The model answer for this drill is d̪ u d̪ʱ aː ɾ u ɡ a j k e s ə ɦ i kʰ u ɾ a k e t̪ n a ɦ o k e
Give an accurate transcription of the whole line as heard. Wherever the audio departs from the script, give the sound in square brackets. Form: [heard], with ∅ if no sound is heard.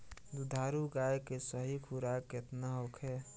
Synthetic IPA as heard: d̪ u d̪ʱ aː ɾ u ɡ a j k e s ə ɦ i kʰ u ɾ a k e t̪ n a ɦ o [kʰ] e